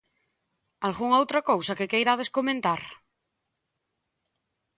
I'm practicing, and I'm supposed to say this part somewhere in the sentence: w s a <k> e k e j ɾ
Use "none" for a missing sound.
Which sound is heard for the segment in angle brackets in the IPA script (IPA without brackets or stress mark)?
k